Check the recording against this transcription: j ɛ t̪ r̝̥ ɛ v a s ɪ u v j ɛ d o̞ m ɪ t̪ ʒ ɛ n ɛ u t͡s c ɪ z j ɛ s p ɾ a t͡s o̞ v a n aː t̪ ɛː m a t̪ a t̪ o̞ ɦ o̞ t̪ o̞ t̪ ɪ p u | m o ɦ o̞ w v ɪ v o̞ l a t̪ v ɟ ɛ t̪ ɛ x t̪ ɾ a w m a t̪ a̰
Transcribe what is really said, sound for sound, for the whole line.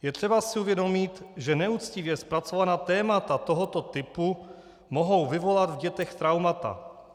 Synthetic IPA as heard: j ɛ t̪ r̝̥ ɛ b a s ɪ u v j ɛ d o̞ m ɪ t̪ ʒ ɛ n ɛ u t͡s c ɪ v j ɛ s p ɾ a t͡s o̞ v a n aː t̪ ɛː m a t̪ a t̪ o̞ ɦ o̞ t̪ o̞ t̪ ɪ p u | m o ɦ o̞ w v ɪ v o̞ l a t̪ v ɟ ɛ t̪ ɛ x t̪ ɾ a w m a t̪ a̰

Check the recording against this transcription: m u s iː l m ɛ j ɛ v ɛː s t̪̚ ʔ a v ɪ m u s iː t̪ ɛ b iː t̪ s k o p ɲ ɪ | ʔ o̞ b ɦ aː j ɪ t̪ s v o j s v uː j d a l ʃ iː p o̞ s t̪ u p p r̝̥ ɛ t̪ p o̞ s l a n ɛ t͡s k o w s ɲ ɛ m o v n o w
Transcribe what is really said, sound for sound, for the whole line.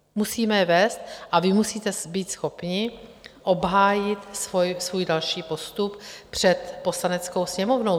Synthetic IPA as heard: m u s iː m ɛ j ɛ v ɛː s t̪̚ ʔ a v ɪ m u s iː t̪ ɛ b iː t̪ s x o p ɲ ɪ | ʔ o̞ b ɦ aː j ɪ t̪ s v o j s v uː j d a l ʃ iː p o̞ s t̪ u p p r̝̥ ɛ t̪ p o̞ s l a n ɛ t͡s k o w s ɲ ɛ m o v n o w

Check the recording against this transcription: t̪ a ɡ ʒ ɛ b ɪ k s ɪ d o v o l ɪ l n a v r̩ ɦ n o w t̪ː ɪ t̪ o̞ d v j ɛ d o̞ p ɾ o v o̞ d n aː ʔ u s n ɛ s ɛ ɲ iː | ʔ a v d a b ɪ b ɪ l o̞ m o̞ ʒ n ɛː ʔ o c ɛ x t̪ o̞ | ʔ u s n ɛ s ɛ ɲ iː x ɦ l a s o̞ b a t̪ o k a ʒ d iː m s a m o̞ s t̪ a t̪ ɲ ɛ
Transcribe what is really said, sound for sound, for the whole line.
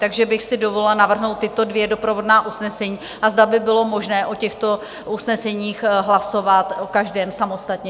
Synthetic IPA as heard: t̪ a ɡ ʒ ɛ b ɪ x s ɪ d o v o l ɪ l n a v r̩ ɦ n o w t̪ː ɪ t̪ o̞ d v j ɛ d o̞ p ɾ o v o̞ d n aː ʔ u s n ɛ s ɛ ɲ iː | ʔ a z d a b ɪ b ɪ l o̞ m o̞ ʒ n ɛː ʔ o c ɛ x t̪ o̞ | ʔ u s n ɛ s ɛ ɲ iː x ɦ l a s o̞ v a t̪ o k a ʒ d ɛː m s a m o̞ s t̪ a t̪ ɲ ɛ

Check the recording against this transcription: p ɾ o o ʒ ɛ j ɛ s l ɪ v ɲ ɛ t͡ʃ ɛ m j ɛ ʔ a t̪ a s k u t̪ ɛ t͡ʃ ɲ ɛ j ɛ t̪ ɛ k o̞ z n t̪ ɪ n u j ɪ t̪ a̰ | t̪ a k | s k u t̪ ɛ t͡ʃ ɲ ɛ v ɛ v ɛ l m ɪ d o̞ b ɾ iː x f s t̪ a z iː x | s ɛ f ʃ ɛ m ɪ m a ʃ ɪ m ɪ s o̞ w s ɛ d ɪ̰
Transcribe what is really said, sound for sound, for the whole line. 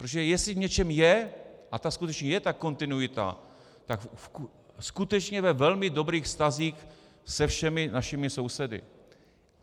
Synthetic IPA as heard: p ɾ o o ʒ ɛ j ɛ s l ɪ v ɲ ɛ t͡ʃ ɛ m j ɛ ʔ a t̪ a s k u t̪ ɛ t͡ʃ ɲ ɛ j ɛ t̪ a k o̞ n t̪ ɪ n u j ɪ t̪ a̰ | t̪ a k | s k u t̪ ɛ t͡ʃ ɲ ɛ v ɛ v ɛ l m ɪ d o̞ b ɾ iː x f s t̪ a z iː x | s ɛ f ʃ ɛ m ɪ n a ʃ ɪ m ɪ s o̞ w s ɛ d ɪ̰

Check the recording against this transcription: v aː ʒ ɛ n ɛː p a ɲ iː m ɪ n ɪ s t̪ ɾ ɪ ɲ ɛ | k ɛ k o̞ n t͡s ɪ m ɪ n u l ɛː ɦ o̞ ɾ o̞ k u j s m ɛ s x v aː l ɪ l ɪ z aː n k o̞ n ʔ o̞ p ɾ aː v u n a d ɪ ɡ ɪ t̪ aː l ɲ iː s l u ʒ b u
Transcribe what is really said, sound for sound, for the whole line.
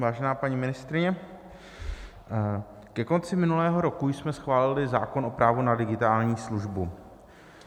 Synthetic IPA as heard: v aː ʒ ɛ n aː p a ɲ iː m ɪ n ɪ s t̪ ɾ ɪ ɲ ɛ | k ɛ k o̞ n t͡s ɪ m ɪ n u l ɛː ɦ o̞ ɾ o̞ k u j s m ɛ s x v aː l ɪ l ɪ z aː k o̞ n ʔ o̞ p ɾ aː v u n a d ɪ ɡ ɪ t̪ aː l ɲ iː s l u ʒ b u

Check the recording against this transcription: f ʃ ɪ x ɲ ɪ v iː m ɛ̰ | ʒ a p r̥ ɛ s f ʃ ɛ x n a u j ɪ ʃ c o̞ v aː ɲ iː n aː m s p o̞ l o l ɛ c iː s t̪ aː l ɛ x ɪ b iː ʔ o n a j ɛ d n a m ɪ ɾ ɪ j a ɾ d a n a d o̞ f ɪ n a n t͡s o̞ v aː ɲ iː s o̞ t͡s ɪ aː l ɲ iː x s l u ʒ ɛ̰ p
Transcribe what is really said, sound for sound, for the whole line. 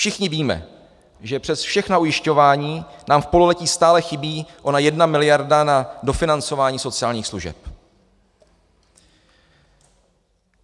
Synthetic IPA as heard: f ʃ ɪ x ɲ ɪ v iː m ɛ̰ | ʒ ɛ p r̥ ɛ s f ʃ ɛ x n a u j ɪ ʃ c o̞ v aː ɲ iː n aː m f p o̞ l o l ɛ c iː s t̪ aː l ɛ x ɪ b iː ʔ o n a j ɛ d n a m ɪ l ɪ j a ɾ d a n a d o̞ f ɪ n a n t͡s o̞ v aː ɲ iː s o̞ t͡s ɪ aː l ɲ iː x s l u ʒ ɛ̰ p

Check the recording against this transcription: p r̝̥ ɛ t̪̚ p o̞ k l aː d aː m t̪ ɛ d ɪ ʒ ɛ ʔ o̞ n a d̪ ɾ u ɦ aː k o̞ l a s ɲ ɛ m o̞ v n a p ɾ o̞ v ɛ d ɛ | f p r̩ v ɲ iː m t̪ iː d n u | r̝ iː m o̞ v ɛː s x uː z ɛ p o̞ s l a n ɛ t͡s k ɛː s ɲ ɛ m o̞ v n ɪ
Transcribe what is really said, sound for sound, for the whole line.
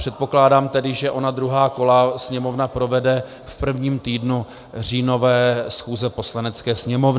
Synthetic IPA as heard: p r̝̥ ɛ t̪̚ p o̞ k l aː d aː m t̪ ɛ d ɪ ʒ ɛ ʔ o̞ n a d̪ ɾ u ɦ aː k o̞ l a s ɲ ɛ m o̞ v n a p ɾ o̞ v ɛ d ɛ | f p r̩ v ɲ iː m t̪ iː d n u | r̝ iː n o̞ v ɛː s x uː z ɛ p o̞ s l a n ɛ t͡s k ɛː s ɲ ɛ m o̞ v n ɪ

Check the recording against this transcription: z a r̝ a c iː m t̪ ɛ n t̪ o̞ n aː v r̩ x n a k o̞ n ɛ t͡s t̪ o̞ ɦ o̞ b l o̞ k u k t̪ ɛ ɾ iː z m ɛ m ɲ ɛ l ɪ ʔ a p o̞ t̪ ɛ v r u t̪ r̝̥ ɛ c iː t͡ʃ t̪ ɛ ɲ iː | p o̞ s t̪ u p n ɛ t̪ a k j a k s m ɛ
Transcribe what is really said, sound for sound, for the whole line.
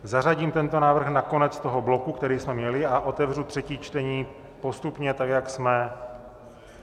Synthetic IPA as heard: z a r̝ a ɟ iː m t̪ ɛ n t̪ o̞ n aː v r̩ x n a k o̞ n ɛ t͡s t̪ o̞ ɦ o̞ b l o̞ k u k t̪ ɛ ɾ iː s m ɛ m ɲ ɛ l ɪ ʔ a ʔ o̞ t̪ ɛ v r u t̪ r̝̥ ɛ c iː t͡ʃ t̪ ɛ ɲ iː | p o̞ s t̪ u p ɲ ɛ t̪ a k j a k s m ɛ

